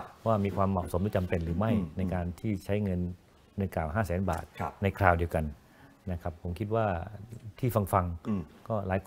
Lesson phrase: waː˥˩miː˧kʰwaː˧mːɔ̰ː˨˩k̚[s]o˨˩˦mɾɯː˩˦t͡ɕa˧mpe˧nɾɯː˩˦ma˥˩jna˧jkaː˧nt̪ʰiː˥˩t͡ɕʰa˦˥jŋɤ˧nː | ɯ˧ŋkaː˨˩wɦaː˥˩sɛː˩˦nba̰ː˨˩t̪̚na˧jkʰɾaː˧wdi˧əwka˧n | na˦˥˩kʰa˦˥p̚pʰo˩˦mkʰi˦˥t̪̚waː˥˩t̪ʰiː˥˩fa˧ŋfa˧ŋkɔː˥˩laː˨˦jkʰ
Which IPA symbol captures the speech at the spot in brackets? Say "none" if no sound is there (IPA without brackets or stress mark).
s